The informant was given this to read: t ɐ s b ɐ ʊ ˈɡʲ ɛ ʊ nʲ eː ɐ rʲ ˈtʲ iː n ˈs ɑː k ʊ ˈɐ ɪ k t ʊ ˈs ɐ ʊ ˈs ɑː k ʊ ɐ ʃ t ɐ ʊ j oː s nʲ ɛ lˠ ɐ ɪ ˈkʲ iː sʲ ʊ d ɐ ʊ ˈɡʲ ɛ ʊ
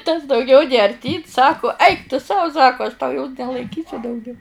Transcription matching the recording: t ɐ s d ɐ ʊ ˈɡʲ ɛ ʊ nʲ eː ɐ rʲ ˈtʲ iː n ˈs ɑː k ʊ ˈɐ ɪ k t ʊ ˈs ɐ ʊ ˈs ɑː k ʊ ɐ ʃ t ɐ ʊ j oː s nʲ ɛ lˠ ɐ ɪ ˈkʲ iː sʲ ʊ d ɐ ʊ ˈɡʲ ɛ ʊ